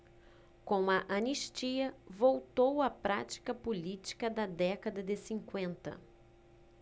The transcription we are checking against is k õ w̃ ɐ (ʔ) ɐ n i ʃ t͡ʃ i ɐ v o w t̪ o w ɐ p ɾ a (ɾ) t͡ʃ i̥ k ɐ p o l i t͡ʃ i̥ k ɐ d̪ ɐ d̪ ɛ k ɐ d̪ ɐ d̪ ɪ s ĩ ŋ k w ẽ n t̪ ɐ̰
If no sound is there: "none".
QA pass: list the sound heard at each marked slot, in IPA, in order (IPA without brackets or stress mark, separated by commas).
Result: ʔ, none